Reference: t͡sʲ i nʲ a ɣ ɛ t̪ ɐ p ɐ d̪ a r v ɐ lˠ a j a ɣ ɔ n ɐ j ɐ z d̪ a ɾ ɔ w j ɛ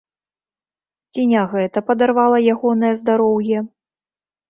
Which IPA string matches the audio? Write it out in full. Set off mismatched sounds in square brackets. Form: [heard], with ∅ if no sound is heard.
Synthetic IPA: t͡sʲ i nʲ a ɣ ɛ t̪ ɐ p ɐ d̪ a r v [a] lˠ [ɐ] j a ɣ ɔ n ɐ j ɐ z d̪ a ɾ ɔ w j ɛ